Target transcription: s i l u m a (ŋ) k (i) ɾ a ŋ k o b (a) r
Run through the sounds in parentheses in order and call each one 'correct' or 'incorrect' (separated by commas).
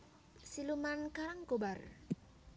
incorrect, incorrect, correct